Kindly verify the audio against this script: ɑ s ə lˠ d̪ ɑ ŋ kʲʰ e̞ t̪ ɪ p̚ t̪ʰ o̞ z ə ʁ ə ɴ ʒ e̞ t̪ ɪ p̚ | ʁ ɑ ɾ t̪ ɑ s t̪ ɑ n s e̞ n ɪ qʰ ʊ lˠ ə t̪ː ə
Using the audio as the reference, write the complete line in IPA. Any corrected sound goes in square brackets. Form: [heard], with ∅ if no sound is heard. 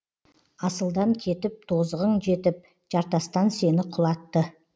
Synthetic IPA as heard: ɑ s ə lˠ d̪ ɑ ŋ kʲʰ e̞ t̪ ɪ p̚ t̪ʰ o̞ z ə ʁ ə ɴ ʒ e̞ t̪ ɪ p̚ | [ʒ] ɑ ɾ t̪ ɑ s t̪ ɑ n s e̞ n ɪ qʰ ʊ lˠ [ɑ] t̪ː ə